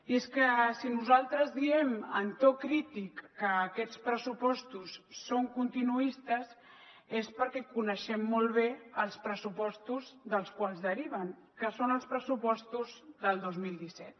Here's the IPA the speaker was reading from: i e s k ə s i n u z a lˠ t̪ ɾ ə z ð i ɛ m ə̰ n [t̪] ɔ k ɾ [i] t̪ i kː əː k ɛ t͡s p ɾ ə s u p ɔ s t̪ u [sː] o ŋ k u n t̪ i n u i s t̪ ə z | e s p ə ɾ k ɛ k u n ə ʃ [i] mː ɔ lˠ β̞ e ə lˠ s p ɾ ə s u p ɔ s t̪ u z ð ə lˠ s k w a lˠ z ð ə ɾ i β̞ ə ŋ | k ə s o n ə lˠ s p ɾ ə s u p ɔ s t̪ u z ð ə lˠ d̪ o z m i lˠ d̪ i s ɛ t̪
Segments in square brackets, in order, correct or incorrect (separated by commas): correct, correct, correct, incorrect